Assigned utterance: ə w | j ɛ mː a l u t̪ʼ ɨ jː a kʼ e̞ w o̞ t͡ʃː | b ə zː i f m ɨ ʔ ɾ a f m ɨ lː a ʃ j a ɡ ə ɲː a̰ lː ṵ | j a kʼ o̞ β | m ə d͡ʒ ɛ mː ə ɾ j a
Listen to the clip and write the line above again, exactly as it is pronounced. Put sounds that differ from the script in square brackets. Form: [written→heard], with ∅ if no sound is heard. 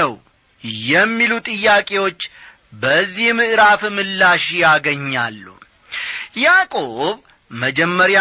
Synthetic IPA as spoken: ə w | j ɛ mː [a→i] l u t̪ʼ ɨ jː a kʼ e̞ w o̞ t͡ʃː | b ə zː i [f→h] m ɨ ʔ ɾ a f m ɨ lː a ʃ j a ɡ ə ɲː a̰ lː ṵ | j a kʼ o̞ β | m ə d͡ʒ ɛ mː ə ɾ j a